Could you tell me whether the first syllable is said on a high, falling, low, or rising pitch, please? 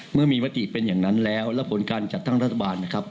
falling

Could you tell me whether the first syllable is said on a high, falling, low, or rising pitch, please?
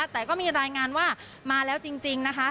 low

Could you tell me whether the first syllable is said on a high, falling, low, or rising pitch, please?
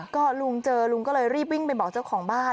falling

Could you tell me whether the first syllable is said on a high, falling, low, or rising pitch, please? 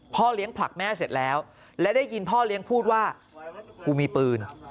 falling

